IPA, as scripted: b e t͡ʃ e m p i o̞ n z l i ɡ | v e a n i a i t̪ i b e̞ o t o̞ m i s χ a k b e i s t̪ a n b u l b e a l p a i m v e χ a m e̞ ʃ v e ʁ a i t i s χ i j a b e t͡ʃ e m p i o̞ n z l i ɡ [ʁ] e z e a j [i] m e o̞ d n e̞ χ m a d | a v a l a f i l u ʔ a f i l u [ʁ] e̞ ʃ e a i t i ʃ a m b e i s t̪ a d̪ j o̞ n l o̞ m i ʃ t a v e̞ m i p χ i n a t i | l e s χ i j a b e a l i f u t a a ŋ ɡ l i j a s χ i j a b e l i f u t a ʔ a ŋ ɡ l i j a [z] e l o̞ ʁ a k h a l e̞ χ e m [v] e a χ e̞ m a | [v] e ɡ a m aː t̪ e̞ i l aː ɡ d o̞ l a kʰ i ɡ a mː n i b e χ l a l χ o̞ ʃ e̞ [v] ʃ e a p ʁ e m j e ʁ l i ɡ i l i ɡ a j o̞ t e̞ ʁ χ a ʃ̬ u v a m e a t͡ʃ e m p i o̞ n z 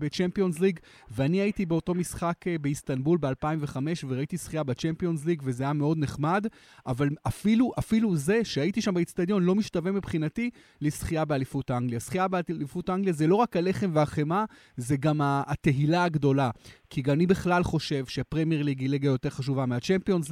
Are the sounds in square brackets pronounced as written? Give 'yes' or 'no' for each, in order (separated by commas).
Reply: no, no, no, yes, yes, no, yes